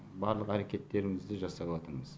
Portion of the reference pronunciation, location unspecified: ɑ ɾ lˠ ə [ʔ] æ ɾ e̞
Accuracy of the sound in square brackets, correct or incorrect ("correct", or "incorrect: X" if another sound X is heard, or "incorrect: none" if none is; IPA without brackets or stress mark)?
incorrect: q